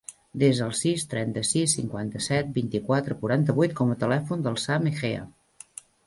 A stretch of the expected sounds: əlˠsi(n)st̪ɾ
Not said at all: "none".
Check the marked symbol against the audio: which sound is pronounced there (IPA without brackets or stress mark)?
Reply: none